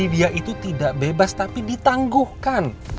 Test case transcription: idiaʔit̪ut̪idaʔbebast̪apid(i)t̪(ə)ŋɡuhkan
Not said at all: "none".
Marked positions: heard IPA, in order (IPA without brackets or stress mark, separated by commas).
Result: i, a